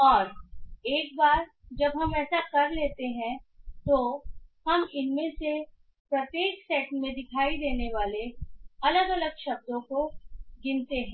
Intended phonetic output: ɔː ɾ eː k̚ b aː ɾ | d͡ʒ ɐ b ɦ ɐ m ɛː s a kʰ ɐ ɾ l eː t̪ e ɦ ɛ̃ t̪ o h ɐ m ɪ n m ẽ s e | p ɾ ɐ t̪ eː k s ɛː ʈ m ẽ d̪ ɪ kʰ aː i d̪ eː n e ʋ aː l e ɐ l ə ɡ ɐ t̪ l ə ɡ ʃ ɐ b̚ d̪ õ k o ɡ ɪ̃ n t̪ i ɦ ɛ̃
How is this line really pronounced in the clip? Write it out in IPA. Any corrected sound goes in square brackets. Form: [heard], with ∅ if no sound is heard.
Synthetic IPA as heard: ɔː ɾ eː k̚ b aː ɾ | d͡ʒ ɐ b ɦ ɐ m ɛː s a [k] ɐ ɾ l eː t̪ e ɦ ɛ̃ t̪ o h ɐ m ɪ n m ẽ s e | p ɾ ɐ t̪ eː k s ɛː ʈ m ẽ d̪ ɪ kʰ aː i d̪ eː n e ʋ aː l e ɐ l ə ɡ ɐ [∅] l ə ɡ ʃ ɐ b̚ d̪ õ k o ɡ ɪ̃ n t̪ [e] ɦ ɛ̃

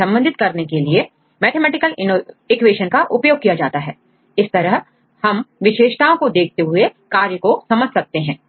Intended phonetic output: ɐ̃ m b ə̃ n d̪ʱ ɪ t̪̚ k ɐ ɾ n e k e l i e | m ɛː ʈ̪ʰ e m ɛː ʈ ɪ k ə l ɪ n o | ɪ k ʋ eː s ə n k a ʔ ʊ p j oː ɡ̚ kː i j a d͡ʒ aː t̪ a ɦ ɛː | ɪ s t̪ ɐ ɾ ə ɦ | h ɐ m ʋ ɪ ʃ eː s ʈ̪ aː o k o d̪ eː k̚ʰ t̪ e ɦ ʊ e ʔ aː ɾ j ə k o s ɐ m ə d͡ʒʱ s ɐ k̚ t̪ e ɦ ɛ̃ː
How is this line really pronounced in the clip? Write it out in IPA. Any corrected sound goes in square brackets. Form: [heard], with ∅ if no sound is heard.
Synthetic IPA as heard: ɐ̃ m b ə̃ n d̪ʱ ɪ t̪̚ k ɐ ɾ n e k e l i e | m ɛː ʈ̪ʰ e m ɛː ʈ ɪ k ə l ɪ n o | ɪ k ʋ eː [ʃ] ə n k a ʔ ʊ p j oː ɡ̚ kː i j a d͡ʒ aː t̪ a ɦ ɛː | ɪ s t̪ ɐ ɾ ə ɦ | h ɐ m ʋ ɪ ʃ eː [ʃ] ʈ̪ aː [õ] k o d̪ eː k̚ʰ t̪ e ɦ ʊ e [k] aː ɾ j ə k o s ɐ m ə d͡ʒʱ s ɐ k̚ t̪ e ɦ ɛ̃ː

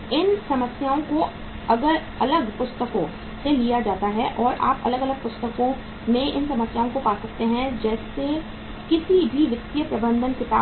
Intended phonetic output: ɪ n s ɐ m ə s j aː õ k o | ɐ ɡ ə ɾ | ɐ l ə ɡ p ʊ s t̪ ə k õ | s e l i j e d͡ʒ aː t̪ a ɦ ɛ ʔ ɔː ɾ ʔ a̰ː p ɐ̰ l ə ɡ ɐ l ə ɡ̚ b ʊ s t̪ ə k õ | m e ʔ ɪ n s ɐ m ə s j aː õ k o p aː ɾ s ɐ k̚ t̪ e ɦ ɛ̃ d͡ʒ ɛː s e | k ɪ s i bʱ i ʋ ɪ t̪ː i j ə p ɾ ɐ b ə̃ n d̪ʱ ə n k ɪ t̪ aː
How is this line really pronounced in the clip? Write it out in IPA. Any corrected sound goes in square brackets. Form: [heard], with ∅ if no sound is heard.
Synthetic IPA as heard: ɪ n s ɐ m ə s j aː õ k o | ɐ ɡ ə ɾ | ɐ l ə ɡ p ʊ s t̪ ə k õ | s e l i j [a] d͡ʒ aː t̪ a ɦ ɛ ʔ ɔː ɾ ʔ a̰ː p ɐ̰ l ə ɡ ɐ l ə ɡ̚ [p] ʊ s t̪ ə k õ | m [ẽ] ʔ ɪ n s ɐ m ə s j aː õ k o p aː [∅] s ɐ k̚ t̪ e ɦ ɛ̃ d͡ʒ ɛː s e | k ɪ s i bʱ i ʋ ɪ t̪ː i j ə p ɾ ɐ b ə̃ n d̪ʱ ə n k ɪ t̪ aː

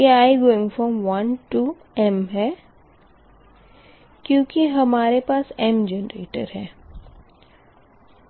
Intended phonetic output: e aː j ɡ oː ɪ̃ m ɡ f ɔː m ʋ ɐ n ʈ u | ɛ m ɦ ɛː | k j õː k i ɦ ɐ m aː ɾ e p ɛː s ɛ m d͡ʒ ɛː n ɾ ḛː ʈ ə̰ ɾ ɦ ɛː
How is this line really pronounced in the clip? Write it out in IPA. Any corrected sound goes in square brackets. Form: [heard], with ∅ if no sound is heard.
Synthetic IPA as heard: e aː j ɡ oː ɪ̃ [ŋ] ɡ f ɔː m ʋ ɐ n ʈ u | ɛ m ɦ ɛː | k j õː k i ɦ ɐ m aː ɾ e p [aː] s ɛ m d͡ʒ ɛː n ɾ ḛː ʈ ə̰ ɾ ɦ ɛː

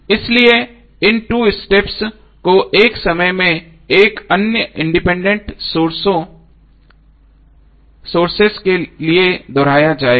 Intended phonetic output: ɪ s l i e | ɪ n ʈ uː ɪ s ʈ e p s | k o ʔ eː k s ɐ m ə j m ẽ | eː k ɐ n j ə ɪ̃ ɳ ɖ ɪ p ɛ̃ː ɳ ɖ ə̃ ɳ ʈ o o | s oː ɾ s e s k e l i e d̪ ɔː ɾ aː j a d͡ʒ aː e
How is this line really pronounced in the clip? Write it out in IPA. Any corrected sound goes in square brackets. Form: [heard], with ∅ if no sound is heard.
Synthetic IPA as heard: ɪ s l i e | ɪ n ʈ uː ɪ s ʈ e p s | k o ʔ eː k s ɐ m ə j m ẽ | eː k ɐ n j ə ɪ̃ ɳ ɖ ɪ p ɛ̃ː ɳ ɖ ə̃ ɳ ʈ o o | s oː ɾ s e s k e l i e d̪ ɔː ɾ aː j a d͡ʒ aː e

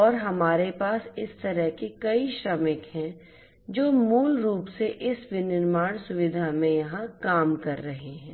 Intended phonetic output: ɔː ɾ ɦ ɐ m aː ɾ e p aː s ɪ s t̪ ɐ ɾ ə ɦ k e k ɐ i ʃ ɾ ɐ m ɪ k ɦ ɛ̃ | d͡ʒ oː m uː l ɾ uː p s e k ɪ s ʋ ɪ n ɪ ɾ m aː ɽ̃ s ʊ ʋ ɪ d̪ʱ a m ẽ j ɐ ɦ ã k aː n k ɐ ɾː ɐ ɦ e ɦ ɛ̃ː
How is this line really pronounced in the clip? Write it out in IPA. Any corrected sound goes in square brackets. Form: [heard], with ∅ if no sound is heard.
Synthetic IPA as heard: ɔː ɾ ɦ ɐ m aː ɾ e p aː s ɪ s t̪ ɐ ɾ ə ɦ k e k ɐ i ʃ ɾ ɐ m ɪ k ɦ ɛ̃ | d͡ʒ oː m uː l ɾ uː p s e [ʔ] ɪ s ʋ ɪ n ɪ ɾ m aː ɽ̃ s ʊ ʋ ɪ d̪ʱ a m ẽ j ɐ ɦ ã k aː [m] k ɐ ɾː ɐ ɦ e ɦ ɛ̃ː

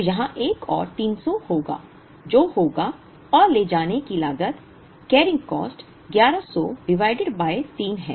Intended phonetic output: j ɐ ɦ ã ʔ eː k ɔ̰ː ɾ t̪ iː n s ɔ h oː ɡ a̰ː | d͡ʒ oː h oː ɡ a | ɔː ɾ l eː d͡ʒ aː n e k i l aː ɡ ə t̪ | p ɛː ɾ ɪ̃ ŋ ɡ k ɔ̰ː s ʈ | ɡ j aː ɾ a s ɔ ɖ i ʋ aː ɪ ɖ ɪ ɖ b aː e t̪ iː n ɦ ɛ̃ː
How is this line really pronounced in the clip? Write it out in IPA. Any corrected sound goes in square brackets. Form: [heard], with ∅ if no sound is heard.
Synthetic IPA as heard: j ɐ ɦ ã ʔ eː k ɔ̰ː ɾ t̪ iː n s ɔ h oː ɡ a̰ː | d͡ʒ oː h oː ɡ a | ɔː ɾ l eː d͡ʒ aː n e k i l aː ɡ ə t̪ | [k] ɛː ɾ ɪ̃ ŋ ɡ k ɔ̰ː s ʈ | ɡ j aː ɾ a s ɔ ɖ [ɪ] ʋ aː ɪ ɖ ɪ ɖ b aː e t̪ iː n ɦ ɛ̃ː

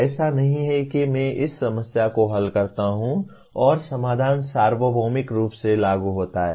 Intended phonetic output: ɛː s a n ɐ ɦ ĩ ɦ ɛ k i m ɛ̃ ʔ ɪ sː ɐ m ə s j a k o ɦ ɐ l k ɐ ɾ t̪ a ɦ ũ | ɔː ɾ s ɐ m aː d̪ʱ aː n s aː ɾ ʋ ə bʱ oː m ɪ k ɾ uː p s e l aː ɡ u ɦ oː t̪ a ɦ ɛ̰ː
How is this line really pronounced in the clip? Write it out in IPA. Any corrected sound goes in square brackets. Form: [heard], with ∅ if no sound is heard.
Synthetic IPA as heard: ɛː s a n ɐ ɦ ĩ ɦ ɛ k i m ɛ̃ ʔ ɪ sː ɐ m ə s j a k o ɦ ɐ l k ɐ ɾ t̪ a ɦ ũ | ɔː ɾ s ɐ m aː d̪ʱ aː n s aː ɾ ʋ ə bʱ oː m ɪ k ɾ uː p s e l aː ɡ u ɦ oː t̪ a ɦ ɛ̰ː

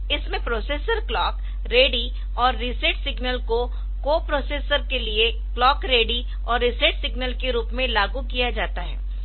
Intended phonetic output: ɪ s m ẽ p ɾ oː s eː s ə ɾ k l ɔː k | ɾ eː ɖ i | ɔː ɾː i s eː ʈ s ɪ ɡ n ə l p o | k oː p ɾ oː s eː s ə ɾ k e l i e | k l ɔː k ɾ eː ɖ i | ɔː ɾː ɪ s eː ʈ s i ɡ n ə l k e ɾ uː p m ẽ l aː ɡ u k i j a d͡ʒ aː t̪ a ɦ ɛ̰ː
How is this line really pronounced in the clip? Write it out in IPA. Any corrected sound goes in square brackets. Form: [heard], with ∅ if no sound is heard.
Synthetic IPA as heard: ɪ s m ẽ p ɾ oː s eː s ə ɾ k l ɔː k | ɾ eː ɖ i | ɔː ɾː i s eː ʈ s ɪ ɡ n ə l [k] o | k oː p ɾ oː s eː s ə ɾ k e l i e | k l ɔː k ɾ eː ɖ i | ɔː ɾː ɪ s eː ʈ s [ɪ] ɡ n ə l k e ɾ uː p m ẽ l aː ɡ u k i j a d͡ʒ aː t̪ a ɦ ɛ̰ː

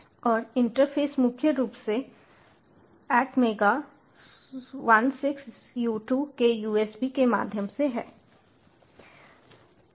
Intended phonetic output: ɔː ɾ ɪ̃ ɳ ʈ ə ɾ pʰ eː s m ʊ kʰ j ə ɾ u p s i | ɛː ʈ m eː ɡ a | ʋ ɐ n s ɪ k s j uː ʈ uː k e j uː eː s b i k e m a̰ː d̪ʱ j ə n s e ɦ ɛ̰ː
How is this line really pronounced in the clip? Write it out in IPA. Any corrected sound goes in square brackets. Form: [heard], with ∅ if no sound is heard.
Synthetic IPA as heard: ɔː ɾ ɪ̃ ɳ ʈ ə ɾ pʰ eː s m ʊ kʰ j ə ɾ [uː] p s [e] | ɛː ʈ m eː ɡ a | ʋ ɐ n s ɪ k s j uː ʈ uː k e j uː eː s b i k e m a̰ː d̪ʱ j ə [m] s e ɦ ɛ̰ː

